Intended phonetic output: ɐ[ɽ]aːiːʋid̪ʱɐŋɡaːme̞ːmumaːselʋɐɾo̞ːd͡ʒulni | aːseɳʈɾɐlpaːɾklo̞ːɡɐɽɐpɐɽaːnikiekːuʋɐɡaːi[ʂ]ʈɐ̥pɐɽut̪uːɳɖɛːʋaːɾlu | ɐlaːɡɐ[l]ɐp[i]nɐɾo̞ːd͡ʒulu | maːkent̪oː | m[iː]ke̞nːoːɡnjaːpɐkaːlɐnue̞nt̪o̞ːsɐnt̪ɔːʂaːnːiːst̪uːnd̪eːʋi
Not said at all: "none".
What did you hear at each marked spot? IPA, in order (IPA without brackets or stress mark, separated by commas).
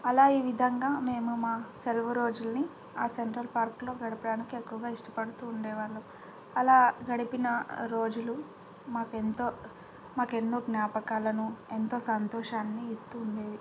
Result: l, ʂ, ɽ, i, aː